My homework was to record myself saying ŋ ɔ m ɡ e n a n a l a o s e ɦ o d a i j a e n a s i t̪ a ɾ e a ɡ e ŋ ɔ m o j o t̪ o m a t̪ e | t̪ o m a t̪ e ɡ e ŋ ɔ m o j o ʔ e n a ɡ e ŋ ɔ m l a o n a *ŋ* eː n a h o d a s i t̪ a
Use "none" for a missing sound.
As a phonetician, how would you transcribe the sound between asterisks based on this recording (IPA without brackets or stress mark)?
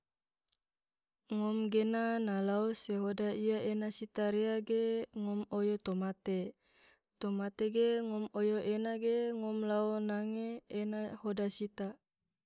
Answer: ŋ